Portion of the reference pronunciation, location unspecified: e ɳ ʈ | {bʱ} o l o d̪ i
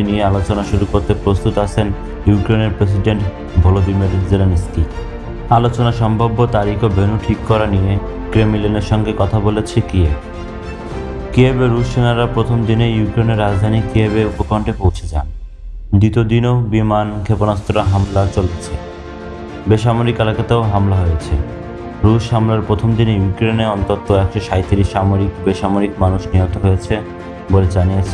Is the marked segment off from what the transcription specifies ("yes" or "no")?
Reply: no